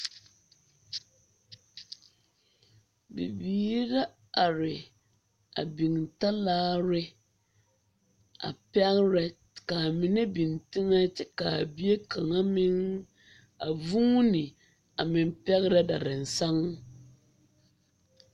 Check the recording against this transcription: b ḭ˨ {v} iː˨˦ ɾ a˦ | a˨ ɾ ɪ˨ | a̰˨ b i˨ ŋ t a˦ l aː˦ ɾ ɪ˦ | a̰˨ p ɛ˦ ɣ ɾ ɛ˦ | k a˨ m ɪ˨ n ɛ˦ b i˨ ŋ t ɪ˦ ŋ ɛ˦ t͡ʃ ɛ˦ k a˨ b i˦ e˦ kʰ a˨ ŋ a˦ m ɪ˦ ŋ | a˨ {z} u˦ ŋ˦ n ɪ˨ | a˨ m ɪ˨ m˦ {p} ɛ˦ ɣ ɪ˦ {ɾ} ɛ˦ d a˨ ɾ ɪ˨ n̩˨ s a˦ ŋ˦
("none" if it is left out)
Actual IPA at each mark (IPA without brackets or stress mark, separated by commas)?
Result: b, v, p, ɾ